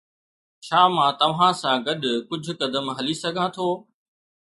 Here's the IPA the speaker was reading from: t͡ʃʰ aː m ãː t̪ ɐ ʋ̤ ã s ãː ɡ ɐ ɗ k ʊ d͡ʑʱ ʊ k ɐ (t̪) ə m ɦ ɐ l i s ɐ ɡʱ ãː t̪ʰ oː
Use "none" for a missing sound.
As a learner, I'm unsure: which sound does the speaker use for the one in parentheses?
d̪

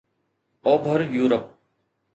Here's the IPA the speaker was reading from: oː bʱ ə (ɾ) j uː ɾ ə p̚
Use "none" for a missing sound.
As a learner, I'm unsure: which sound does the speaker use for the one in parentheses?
ɾ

